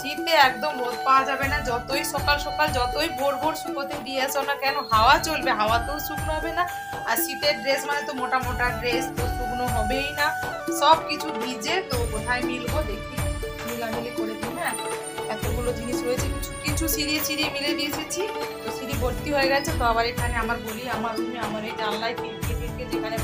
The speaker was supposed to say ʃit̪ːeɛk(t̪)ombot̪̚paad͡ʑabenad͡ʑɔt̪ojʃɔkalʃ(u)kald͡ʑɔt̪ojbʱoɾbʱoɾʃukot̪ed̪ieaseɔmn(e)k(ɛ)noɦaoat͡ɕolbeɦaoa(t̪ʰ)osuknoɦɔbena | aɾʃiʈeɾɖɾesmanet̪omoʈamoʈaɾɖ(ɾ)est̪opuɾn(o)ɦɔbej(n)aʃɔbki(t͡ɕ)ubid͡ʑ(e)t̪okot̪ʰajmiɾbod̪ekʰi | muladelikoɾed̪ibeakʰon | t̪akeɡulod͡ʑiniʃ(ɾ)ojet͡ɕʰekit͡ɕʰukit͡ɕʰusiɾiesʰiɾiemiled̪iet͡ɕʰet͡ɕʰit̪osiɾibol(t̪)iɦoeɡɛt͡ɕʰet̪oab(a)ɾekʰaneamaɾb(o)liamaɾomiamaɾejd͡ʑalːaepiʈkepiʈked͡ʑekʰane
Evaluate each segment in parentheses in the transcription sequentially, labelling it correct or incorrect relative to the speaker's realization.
incorrect: d̪, incorrect: ɔ, incorrect: a, correct, incorrect: t̪, correct, correct, correct, incorrect: t͡ɕʰ, correct, correct, correct, correct, correct

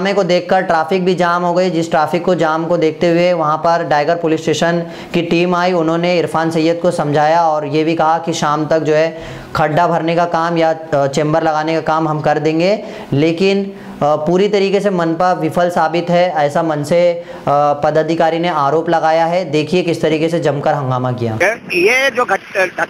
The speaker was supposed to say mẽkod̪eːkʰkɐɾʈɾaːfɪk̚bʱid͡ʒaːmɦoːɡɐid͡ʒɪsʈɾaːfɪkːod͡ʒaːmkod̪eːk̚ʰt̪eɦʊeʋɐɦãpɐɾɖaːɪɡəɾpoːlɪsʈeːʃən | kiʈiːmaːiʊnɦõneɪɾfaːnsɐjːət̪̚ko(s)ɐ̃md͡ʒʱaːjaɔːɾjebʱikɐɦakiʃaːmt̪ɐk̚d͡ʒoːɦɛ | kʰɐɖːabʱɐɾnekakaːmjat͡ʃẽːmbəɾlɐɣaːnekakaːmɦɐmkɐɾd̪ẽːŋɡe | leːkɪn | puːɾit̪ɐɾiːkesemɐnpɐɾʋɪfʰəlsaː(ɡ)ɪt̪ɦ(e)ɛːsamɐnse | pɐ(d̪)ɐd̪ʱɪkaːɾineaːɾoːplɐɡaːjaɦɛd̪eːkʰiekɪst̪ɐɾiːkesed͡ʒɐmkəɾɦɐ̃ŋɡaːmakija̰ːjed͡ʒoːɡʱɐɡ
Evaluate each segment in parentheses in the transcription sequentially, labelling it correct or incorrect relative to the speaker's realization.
correct, incorrect: b, incorrect: ɛ, correct

